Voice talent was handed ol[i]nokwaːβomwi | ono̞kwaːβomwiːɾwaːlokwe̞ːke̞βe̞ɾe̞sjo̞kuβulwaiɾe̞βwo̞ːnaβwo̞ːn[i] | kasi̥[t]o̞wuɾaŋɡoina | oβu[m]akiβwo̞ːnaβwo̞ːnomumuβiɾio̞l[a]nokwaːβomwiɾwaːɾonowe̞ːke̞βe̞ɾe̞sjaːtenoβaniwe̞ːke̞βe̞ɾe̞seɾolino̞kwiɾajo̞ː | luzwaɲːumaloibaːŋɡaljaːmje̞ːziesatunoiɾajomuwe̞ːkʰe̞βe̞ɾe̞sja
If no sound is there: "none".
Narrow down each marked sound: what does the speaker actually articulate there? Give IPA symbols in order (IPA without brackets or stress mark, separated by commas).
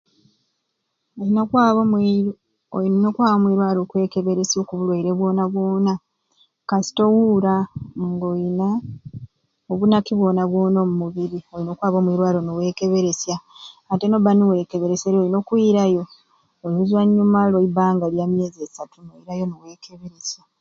i, a, t, n, i